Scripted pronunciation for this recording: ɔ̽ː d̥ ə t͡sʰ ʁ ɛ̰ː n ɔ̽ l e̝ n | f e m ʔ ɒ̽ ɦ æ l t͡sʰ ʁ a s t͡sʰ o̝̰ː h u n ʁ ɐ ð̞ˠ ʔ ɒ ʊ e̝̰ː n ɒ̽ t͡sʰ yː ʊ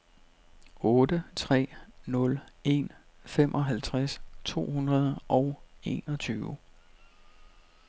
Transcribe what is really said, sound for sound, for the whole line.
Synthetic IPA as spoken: ɔ̽ː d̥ ə t͡sʰ ʁ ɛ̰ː n ɔ̽ l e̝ n | f e m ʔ ɒ̽ ɦ æ l t͡sʰ ʁ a s t͡sʰ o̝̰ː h u n ʁ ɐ ð̞ˠ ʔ ɒ ʊ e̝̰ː n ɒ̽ t͡sʰ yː ʊ